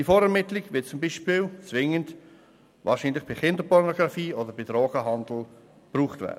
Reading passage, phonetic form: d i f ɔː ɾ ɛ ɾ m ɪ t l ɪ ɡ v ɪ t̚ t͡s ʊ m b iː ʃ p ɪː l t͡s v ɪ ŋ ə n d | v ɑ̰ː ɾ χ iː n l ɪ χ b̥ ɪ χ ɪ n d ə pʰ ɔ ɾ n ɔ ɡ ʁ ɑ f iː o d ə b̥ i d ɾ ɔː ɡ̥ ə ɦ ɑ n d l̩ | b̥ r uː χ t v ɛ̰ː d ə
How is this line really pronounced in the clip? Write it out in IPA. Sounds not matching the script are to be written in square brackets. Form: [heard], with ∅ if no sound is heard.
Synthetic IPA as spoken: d i f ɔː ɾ ɛ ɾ m ɪ t l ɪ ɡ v ɪ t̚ t͡s ʊ m b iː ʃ p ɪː l t͡s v ɪ ŋ ə n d | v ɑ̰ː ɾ [ʃ] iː n l ɪ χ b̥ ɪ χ ɪ n d ə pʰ ɔ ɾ n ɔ ɡ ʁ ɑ f iː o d ə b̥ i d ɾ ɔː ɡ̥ ə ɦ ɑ n d l̩ | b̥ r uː χ t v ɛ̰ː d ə